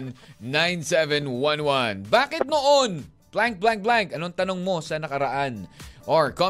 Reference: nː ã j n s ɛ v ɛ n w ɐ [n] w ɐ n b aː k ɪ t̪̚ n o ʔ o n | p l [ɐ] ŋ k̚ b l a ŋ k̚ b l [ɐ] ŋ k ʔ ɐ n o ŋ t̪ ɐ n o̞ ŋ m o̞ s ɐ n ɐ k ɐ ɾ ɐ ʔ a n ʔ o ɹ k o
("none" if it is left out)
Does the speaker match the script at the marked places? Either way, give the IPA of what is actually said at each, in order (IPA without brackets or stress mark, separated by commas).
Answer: n, a, a